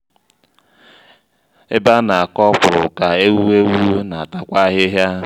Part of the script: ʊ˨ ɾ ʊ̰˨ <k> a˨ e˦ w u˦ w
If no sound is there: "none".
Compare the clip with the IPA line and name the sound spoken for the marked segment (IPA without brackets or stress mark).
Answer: k